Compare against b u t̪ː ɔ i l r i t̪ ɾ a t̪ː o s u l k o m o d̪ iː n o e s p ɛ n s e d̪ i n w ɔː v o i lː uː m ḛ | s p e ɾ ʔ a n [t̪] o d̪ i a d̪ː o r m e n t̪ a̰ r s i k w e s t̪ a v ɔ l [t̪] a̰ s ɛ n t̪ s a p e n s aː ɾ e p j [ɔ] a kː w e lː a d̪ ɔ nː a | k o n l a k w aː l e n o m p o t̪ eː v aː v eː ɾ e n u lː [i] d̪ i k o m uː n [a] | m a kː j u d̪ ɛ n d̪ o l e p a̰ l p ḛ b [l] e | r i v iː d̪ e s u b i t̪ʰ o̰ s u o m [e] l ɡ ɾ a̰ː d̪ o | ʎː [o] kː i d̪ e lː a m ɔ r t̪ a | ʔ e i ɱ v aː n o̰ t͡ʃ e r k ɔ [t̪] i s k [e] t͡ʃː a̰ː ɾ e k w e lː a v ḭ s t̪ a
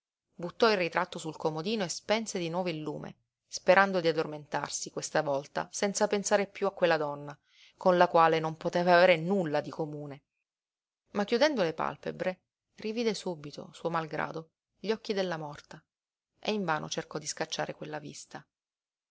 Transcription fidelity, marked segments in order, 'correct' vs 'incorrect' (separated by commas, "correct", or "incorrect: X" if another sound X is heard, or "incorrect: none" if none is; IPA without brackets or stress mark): incorrect: d̪, correct, incorrect: u, incorrect: a, incorrect: e, incorrect: ɾ, incorrect: a, incorrect: ɔ, incorrect: d̪, incorrect: a